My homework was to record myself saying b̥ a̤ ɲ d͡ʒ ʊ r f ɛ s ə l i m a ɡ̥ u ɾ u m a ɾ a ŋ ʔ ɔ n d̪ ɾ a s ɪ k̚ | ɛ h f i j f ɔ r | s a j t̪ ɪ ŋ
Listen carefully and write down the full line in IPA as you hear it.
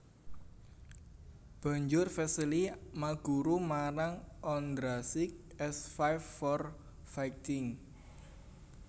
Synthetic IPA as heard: b̥ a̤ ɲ d͡ʒ ʊ r f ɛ s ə l i m a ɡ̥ u ɾ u m a ɾ a ŋ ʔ ɔ n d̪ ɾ a s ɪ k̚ | ɛ s f a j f ɔ r | f a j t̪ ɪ ŋ